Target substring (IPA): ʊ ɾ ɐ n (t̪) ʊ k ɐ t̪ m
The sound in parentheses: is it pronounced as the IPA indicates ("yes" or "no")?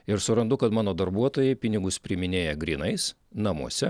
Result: no